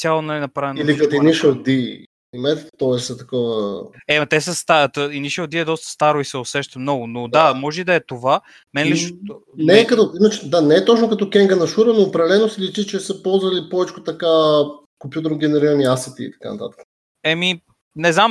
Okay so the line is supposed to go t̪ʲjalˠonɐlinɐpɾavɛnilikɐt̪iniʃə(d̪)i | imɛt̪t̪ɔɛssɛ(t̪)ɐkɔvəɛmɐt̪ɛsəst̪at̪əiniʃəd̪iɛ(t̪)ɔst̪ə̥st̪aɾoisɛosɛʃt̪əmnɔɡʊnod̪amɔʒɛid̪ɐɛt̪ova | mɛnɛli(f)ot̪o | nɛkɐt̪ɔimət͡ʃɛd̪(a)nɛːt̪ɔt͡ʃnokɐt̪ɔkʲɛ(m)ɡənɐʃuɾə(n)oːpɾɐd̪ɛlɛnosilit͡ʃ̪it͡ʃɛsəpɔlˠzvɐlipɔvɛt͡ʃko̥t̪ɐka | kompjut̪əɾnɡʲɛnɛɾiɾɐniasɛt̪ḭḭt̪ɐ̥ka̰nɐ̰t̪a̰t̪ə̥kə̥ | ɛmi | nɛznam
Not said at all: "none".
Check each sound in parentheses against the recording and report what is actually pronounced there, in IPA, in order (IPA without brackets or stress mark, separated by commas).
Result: d̪, t̪, d̪, ʃ, a, ŋ, n